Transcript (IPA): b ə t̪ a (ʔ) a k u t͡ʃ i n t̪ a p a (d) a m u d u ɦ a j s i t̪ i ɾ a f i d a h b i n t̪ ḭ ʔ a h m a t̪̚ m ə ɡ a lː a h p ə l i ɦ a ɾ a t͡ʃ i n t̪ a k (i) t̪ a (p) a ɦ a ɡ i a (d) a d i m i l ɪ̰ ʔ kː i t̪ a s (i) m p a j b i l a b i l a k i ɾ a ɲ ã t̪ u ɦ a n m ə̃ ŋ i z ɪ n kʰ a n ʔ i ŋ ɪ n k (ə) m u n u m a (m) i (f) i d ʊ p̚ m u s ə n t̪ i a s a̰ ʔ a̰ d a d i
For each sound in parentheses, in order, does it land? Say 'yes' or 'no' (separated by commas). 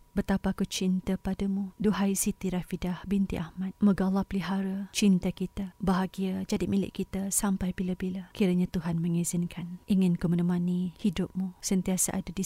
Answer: no, yes, yes, no, no, no, yes, no, no